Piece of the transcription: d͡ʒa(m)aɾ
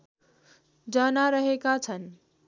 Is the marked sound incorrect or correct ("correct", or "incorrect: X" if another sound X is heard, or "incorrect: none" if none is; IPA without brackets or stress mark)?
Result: incorrect: n